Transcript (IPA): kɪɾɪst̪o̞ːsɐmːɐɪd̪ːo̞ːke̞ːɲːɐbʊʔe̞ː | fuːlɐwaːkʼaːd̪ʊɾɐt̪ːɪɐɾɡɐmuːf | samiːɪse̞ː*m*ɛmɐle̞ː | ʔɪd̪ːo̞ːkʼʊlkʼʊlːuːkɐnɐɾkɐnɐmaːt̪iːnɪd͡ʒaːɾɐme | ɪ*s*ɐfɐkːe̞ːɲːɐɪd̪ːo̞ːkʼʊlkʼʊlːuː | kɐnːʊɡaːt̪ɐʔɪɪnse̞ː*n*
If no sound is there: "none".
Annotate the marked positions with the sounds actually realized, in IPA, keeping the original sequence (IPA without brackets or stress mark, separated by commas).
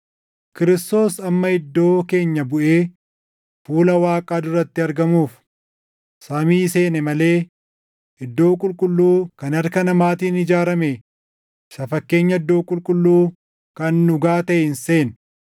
n, s, n